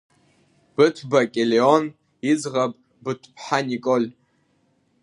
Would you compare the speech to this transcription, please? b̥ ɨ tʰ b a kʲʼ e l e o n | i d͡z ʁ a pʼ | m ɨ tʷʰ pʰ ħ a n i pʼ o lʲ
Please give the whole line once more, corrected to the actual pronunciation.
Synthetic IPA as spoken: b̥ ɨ tʰ b a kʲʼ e l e o n | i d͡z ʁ a pʼ | b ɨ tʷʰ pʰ ħ a n i kʼ o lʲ

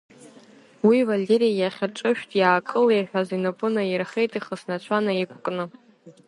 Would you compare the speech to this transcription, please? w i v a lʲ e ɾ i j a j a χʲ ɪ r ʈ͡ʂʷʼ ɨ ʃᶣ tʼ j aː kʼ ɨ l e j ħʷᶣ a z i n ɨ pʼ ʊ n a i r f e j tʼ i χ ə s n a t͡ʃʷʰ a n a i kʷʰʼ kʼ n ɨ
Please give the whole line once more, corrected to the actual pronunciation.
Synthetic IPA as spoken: w i v a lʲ e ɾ i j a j a χʲ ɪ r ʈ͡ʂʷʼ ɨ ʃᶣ tʼ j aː kʼ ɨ l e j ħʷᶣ a z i n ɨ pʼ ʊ n a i r χ e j tʼ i χ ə s n a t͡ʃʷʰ a n a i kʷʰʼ kʼ n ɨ

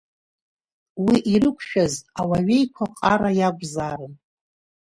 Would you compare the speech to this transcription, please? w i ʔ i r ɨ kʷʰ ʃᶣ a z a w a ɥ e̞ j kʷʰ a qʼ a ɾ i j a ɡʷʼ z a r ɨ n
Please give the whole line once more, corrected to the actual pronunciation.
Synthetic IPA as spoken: w i ʔ i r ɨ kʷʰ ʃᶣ a z a w a ɥ e̞ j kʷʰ a qʼ a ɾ a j a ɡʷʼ z a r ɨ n

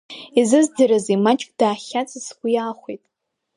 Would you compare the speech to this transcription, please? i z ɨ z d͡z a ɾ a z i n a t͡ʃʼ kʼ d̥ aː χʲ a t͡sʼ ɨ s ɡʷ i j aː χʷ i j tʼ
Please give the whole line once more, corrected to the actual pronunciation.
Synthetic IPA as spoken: i z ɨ z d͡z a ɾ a z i m a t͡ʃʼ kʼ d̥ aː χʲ a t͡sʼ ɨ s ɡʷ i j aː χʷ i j tʼ

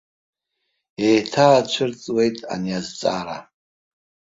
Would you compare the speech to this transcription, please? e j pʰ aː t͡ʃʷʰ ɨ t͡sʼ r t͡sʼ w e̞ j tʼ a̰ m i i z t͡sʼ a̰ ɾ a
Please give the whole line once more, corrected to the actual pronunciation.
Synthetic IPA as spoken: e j tʰ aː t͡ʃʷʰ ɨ r t͡sʼ w e̞ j tʼ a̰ n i a z t͡sʼ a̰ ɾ a

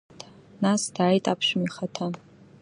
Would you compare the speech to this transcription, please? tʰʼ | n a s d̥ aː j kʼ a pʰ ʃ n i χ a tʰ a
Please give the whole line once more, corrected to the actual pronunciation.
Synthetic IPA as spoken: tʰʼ | n a s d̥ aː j tʼ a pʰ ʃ m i χ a tʰ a

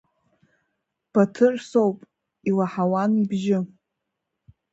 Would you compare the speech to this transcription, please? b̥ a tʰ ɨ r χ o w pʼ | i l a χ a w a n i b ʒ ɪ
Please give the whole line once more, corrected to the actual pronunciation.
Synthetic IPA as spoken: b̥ a tʰ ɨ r s o w pʼ | i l a ħ a w a n i b ʒ ɪ

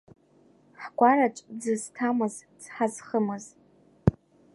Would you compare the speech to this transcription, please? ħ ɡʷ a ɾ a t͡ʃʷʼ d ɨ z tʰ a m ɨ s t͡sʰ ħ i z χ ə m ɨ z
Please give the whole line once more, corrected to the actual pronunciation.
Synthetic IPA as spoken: ħ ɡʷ a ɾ a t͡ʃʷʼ d͡z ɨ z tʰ a m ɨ z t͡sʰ ħ a z χ ə m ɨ z

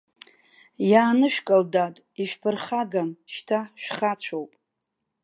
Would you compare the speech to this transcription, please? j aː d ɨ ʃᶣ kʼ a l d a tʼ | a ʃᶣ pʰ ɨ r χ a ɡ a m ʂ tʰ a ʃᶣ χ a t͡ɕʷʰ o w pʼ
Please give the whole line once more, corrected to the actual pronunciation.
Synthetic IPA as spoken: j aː n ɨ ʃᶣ kʼ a l d a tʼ | i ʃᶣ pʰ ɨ r χ a ɡ a m ʃ tʰ a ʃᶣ χ a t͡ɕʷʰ o w pʼ

